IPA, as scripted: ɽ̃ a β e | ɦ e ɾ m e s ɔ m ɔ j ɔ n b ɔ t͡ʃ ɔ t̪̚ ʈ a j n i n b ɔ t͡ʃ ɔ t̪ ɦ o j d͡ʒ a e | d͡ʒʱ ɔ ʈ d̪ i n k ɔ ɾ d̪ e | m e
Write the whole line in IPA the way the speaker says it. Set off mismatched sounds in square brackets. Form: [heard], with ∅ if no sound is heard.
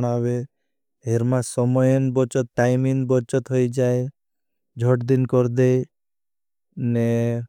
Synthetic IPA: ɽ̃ a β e | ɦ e ɾ m [a] s ɔ m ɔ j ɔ n b ɔ t͡ʃ ɔ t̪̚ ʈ a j [m] i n b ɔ t͡ʃ ɔ t̪ ɦ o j d͡ʒ a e | d͡ʒʱ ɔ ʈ d̪ i n k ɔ ɾ d̪ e | [n] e